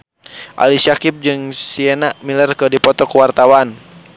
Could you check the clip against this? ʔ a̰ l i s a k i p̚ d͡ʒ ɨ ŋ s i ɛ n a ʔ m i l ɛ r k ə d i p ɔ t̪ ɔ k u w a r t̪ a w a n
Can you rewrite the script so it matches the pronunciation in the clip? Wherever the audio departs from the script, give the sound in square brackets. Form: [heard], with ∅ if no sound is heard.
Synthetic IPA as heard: ʔ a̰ l i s a k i p̚ d͡ʒ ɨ ŋ s i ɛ n a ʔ m i l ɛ r k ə d i p ɔ t̪ ɔ k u w a r t̪ a w a n